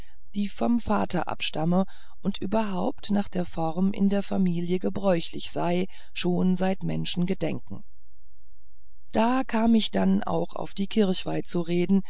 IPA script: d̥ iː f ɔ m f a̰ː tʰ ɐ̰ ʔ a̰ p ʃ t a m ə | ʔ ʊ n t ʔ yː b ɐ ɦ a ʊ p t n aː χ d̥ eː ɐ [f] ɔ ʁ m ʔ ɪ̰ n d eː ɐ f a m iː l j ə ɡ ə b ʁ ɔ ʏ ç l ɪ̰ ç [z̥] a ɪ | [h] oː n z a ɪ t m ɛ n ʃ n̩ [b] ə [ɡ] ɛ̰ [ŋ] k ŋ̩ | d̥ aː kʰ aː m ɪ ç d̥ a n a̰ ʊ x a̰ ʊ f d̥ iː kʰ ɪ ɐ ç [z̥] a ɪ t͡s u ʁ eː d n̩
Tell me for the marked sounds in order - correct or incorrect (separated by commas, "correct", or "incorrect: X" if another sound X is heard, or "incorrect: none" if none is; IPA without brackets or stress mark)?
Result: correct, correct, incorrect: ʃ, incorrect: ɡ, incorrect: d, correct, incorrect: v̥